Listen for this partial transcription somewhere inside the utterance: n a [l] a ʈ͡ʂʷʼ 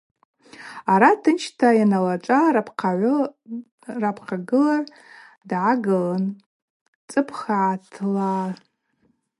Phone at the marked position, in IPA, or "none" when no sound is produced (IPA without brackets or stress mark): l